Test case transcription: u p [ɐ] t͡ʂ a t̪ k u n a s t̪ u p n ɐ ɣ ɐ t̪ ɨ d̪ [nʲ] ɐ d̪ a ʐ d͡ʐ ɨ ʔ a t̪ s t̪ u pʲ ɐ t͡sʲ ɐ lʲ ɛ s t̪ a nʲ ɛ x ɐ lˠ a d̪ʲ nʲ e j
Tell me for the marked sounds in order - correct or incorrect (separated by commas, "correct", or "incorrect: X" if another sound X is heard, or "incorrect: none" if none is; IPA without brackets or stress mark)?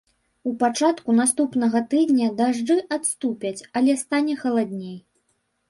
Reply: incorrect: a, correct